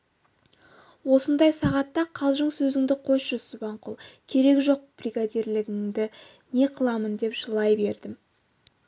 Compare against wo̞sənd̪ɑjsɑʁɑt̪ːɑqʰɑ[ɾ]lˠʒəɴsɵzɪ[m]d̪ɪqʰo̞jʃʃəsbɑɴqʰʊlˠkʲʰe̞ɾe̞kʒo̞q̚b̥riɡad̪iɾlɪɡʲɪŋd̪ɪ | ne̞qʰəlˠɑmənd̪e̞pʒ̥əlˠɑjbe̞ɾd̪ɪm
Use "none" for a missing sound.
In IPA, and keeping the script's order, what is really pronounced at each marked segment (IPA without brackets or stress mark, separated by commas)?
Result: none, ŋ